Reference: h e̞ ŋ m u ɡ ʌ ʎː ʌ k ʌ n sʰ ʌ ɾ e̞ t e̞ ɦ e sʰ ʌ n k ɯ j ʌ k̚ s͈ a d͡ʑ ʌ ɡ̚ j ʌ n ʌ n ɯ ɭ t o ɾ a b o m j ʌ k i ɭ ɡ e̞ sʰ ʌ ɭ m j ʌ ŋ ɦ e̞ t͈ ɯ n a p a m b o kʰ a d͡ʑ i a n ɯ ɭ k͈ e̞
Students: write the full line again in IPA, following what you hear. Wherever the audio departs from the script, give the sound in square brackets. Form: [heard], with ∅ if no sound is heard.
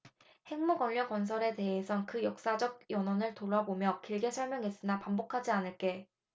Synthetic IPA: h e̞ ŋ m u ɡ ʌ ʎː ʌ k ʌ n sʰ ʌ ɾ e̞ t e̞ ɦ e sʰ ʌ n k ɯ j ʌ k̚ s͈ a d͡ʑ ʌ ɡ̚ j ʌ n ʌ n ɯ ɭ t o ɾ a b o m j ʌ k i ɭ ɡ e̞ sʰ ʌ ɭ m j ʌ ŋ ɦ e̞ [s͈] ɯ n a p a m b o kʰ a d͡ʑ i a n ɯ ɭ k͈ e̞